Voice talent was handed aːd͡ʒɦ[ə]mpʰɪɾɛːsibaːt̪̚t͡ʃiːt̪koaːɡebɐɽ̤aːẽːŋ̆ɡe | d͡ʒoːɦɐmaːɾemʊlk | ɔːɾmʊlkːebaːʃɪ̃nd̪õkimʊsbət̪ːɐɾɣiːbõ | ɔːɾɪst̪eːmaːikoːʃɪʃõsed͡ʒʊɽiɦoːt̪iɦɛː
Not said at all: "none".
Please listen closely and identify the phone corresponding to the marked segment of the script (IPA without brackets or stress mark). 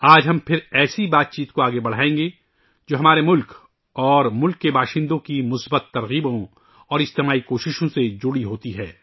ɐ